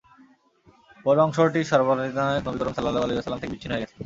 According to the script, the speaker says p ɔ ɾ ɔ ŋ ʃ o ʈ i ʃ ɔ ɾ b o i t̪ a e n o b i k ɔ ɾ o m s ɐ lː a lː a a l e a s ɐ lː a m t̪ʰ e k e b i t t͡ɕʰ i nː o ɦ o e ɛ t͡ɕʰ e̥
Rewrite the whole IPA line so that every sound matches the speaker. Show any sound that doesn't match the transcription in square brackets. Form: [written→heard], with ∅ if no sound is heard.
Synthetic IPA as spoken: p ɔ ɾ ɔ ŋ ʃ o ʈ i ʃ ɔ ɾ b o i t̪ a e n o b i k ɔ ɾ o m s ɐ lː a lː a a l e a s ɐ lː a m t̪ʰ e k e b i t t͡ɕʰ i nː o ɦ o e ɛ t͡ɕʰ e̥